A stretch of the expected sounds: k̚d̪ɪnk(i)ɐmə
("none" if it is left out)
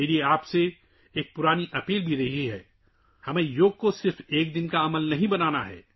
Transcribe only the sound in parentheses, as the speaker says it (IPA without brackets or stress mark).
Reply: a